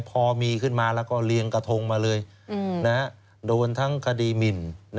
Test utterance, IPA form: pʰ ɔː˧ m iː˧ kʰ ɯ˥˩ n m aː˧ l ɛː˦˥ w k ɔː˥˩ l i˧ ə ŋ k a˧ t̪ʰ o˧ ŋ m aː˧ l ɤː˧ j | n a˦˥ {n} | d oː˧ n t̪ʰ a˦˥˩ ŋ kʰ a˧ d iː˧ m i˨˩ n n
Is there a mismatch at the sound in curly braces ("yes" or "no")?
yes